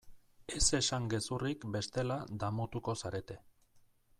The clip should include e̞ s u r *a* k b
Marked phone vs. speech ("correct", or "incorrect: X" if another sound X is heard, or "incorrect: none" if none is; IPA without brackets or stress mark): incorrect: i